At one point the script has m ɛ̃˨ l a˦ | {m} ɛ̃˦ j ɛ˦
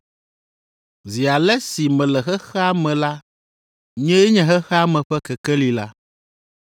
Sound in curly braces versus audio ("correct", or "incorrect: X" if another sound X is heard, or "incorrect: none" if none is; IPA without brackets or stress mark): incorrect: ɲ